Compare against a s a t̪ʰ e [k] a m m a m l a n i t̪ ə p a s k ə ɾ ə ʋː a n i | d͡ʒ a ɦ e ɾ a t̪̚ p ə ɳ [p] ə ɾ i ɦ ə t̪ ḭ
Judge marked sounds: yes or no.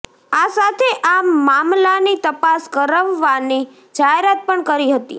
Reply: no, no

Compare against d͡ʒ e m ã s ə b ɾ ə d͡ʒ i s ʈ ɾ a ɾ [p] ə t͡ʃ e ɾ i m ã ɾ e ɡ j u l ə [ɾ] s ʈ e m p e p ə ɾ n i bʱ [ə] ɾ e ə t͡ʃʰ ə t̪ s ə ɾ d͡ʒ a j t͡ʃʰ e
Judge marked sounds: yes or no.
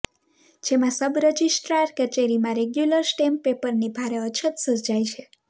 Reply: no, yes, no

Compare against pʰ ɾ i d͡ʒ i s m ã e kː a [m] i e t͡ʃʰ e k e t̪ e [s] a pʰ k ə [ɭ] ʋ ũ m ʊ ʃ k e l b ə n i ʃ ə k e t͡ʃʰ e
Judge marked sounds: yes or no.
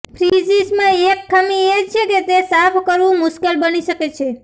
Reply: yes, yes, no

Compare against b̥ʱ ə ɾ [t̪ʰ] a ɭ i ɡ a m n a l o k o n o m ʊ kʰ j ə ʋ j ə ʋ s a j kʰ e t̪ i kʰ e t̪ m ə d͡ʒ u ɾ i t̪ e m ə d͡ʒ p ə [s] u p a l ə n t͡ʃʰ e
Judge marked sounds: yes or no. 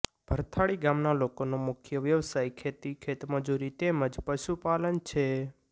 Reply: yes, no

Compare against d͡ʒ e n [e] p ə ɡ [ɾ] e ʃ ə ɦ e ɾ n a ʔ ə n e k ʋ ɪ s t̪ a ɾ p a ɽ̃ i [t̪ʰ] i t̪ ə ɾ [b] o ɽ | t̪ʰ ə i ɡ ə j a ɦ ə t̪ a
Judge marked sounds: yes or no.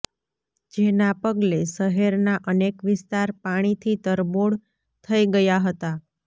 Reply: no, no, yes, yes

